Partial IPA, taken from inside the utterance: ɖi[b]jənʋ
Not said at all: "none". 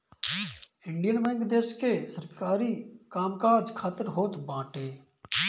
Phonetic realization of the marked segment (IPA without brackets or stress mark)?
none